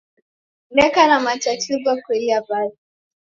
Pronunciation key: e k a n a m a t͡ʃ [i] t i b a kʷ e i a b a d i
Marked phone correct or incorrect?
incorrect